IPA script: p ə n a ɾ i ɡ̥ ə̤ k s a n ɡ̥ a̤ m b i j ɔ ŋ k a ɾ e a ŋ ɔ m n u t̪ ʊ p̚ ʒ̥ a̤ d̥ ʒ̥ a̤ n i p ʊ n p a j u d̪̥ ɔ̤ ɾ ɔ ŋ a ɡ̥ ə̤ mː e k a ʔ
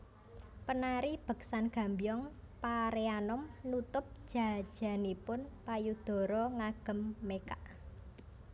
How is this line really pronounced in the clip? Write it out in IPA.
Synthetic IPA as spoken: p ə n a ɾ i b̥ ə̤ k s a n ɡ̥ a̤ m b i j ɔ ŋ p a ɾ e a n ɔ m n u t̪ ʊ p̚ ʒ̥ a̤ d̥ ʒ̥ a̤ n i p ʊ n p a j u d̪̥ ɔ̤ ɾ ɔ ŋ a ɡ̥ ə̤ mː e k a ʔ